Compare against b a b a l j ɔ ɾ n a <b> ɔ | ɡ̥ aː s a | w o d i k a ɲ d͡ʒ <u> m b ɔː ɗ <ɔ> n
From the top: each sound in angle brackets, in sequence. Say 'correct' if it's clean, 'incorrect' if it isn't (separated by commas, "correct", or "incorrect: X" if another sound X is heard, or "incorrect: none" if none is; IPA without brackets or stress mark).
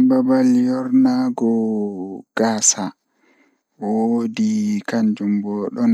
incorrect: ɡ, correct, correct